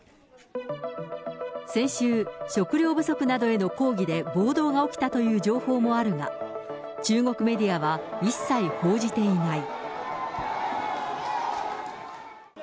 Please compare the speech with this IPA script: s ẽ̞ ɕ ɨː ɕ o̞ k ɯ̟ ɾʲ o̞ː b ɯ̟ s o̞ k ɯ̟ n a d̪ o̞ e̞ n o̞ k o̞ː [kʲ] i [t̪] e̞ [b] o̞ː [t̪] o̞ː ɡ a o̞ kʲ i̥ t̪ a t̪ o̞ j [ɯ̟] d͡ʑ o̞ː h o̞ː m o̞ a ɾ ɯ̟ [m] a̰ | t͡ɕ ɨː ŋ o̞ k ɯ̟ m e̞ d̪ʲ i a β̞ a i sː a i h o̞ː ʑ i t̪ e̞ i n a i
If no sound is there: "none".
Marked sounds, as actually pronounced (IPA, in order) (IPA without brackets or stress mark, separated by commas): ɡʲ, d̪, b, d̪, ɯ̟ː, ŋ